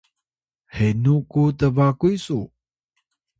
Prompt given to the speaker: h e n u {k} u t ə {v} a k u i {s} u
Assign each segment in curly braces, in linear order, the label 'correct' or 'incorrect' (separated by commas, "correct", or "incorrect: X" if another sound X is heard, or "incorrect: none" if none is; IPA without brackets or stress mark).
correct, correct, correct